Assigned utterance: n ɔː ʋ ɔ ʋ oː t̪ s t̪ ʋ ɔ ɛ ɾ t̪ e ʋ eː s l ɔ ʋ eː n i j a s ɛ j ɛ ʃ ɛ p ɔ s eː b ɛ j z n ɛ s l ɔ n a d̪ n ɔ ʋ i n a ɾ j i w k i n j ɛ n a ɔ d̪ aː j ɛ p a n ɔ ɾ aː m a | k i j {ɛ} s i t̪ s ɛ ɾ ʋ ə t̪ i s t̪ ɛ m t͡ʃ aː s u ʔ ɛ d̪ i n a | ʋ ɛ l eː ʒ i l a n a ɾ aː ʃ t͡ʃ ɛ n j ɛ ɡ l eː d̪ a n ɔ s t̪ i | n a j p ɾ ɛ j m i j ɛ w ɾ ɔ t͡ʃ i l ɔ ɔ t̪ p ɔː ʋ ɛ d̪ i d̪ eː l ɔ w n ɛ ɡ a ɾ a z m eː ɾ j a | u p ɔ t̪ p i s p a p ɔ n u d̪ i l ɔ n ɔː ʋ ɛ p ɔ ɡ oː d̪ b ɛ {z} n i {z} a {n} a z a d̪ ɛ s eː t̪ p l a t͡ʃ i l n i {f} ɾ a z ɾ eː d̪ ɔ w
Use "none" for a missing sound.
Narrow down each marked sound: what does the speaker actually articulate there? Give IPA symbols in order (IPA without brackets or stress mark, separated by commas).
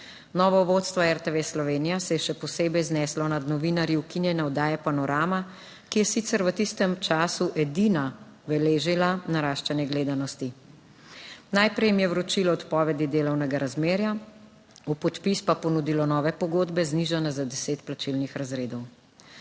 ɛ, z, ʒ, n, x